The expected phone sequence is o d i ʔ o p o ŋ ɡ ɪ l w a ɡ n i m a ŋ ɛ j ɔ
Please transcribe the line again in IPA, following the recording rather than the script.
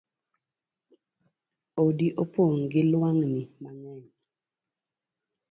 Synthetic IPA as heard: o d i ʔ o p o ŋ ɡ ɪ l w a ŋ n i m a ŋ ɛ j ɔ

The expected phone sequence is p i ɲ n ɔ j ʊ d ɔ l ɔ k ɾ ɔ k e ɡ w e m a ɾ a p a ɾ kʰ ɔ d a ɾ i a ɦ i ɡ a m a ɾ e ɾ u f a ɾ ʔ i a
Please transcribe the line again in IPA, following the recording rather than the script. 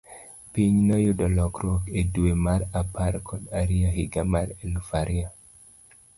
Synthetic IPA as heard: p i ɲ n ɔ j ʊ d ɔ l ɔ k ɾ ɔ k e d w e m a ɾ a p a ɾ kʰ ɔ d a ɾ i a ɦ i ɡ a m a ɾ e l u f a ɾ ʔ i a

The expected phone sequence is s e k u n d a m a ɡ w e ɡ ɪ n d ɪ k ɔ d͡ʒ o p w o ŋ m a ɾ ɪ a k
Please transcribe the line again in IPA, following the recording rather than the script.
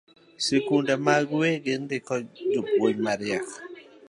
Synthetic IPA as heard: s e k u n d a m a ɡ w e ɡ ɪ n d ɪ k ɔ d͡ʒ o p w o ɲ m a ɾ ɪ a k

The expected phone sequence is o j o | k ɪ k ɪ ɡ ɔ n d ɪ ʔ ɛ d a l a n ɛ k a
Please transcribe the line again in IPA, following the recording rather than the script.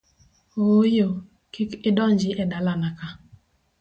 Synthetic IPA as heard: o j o | k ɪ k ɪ d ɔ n d͡ʒ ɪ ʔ ɛ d a l a n a k a

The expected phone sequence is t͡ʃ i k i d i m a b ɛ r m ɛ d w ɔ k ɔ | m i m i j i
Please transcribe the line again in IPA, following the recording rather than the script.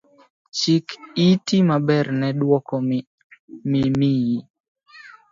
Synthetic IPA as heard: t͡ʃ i k i t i m a b ɛ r n ɛ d w ɔ k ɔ | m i m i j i

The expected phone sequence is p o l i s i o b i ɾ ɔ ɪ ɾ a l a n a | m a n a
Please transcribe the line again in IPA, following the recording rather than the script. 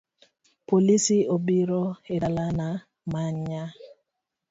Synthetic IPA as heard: p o l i s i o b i ɾ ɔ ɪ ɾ a l a n a | m a ɲ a

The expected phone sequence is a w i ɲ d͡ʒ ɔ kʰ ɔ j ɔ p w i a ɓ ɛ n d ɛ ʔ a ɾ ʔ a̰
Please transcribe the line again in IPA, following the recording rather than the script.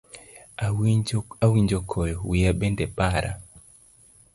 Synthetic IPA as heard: a w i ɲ d͡ʒ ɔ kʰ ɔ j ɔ w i a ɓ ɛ n d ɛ p a ɾ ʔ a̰

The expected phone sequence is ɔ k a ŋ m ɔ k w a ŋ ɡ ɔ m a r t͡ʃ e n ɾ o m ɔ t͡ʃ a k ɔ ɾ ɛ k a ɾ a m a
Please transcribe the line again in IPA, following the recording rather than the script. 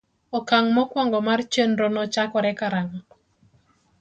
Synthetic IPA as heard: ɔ k a ŋ m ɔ k w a ŋ ɡ ɔ m a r t͡ʃ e n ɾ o n ɔ t͡ʃ a k ɔ ɾ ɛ k a ɾ a ŋ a

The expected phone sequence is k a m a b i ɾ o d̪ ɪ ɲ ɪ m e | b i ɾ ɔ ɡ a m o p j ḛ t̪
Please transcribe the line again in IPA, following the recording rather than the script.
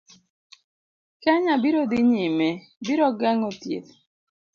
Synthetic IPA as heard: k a ɲ a b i ɾ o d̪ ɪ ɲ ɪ m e | b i ɾ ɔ ɡ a ŋ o t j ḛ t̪

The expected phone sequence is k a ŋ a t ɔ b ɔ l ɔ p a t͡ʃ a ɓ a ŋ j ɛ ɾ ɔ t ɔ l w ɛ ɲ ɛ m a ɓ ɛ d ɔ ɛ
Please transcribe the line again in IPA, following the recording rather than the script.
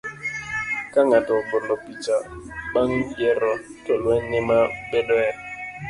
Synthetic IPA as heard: k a ŋ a t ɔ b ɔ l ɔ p i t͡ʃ a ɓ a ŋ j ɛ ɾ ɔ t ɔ l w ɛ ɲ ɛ m a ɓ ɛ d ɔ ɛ

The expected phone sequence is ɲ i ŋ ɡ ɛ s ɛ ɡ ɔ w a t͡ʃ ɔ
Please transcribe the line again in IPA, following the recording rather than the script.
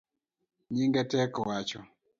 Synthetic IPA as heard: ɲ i ŋ ɡ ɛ t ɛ k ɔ w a t͡ʃ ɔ

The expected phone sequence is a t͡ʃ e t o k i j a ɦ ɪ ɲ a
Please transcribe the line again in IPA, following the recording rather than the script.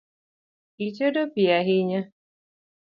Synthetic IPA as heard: i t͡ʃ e d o p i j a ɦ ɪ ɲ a

